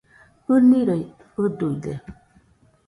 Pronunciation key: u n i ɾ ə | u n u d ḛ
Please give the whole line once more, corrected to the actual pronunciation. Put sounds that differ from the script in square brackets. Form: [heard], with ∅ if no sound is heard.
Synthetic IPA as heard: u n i ɾ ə | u [d] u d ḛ